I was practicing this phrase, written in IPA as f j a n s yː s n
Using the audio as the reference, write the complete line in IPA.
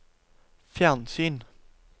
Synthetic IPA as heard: f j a n s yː n

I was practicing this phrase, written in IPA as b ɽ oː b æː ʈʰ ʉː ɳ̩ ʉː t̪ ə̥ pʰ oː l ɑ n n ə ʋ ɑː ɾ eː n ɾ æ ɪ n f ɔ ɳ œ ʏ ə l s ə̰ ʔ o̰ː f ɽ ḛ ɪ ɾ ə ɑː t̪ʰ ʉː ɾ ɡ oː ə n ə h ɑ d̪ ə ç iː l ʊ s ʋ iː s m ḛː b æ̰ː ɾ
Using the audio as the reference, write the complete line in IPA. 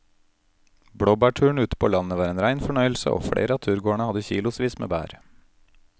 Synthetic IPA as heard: b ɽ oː b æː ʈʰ ʉː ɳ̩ ʉː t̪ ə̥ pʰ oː l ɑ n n ə ʋ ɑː ɾ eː n ɾ æ ɪ n f ɔ ɳ œ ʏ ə l s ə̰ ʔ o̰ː f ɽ ḛ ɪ ɾ ə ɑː t̪ʰ ʉː ɾ ɡ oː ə ɳ ə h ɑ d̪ ə ç iː l ʊ s ʋ iː s m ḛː b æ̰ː ɾ

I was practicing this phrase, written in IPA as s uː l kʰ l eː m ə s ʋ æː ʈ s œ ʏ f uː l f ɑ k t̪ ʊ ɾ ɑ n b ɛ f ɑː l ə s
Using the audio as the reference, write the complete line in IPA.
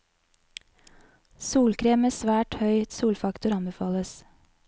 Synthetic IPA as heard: s uː l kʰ ɾ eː m ə s ʋ æː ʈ h œ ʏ s uː l f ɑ k t̪ ʊ ɾ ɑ n b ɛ f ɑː l ə s

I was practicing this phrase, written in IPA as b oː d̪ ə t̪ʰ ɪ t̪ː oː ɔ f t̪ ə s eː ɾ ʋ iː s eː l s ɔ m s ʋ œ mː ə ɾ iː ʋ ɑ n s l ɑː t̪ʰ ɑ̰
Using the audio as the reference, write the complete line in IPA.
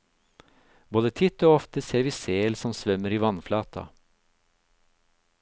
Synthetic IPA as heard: b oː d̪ ə t̪ʰ ɪ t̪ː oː ɔ f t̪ ə s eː ɾ ʋ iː s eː l s ɔ m s ʋ œ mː ə ɾ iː ʋ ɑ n f l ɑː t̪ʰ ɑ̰

